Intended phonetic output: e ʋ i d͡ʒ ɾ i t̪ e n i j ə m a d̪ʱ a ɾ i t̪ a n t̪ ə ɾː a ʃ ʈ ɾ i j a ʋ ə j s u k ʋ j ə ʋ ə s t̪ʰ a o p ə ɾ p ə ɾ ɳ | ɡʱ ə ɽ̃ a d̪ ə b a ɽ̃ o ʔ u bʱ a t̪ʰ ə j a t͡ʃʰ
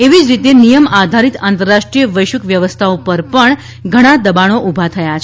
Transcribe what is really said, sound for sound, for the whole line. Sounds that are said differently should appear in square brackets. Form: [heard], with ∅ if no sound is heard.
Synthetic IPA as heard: e ʋ i d͡ʒ ɾ i t̪ e n i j ə m a d̪ʱ a ɾ i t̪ a n t̪ ə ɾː a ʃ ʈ ɾ i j [ə] ʋ ə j [ʃ] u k ʋ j ə ʋ ə s t̪ʰ a o p ə ɾ p ə [∅] ɳ | ɡʱ ə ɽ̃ a d̪ ə b a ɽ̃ o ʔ u bʱ a t̪ʰ ə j a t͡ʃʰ